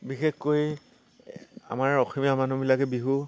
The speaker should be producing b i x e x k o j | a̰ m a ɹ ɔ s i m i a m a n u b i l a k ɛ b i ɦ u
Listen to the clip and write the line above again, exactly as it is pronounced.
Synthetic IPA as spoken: b i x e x k o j | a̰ m a ɹ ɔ x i m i a m a n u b i l a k ɛ b i ɦ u